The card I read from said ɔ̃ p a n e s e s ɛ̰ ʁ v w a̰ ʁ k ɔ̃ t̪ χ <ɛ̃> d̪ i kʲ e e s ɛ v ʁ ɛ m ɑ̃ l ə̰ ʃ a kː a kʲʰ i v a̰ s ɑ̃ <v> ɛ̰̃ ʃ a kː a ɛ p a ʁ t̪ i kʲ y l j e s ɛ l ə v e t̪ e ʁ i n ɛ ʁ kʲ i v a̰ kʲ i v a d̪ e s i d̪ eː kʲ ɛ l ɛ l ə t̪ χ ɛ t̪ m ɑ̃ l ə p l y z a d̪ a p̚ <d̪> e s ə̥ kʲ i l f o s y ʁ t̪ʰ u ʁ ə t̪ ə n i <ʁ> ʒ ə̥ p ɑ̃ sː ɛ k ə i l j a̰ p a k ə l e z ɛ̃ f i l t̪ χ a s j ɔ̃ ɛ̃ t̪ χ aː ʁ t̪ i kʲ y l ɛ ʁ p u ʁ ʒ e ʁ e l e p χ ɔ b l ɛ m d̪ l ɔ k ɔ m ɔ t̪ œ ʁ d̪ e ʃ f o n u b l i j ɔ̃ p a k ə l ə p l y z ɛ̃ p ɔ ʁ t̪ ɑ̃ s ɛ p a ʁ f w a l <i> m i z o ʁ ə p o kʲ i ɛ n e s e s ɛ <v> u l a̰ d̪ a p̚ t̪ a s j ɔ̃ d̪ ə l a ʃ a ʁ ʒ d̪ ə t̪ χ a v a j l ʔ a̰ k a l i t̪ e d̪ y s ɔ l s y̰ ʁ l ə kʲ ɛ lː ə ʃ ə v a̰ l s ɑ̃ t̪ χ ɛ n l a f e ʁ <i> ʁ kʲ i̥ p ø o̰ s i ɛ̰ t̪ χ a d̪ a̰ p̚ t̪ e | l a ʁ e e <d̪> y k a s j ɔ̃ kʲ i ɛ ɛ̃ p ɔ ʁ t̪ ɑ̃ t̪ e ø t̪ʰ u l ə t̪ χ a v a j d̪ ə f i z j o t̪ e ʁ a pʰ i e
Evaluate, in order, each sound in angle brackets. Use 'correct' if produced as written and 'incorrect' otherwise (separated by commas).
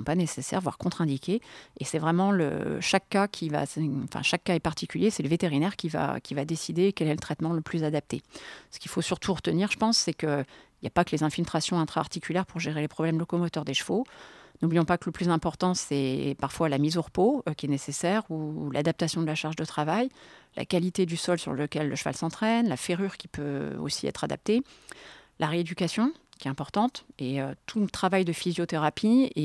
correct, incorrect, incorrect, correct, incorrect, incorrect, incorrect, correct